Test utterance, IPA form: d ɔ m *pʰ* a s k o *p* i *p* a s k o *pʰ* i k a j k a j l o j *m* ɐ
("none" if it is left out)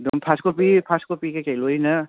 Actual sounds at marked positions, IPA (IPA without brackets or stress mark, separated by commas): pʰ, p, pʰ, p, n